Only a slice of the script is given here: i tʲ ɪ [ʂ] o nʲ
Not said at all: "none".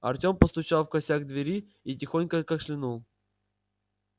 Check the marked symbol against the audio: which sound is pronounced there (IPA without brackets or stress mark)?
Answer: x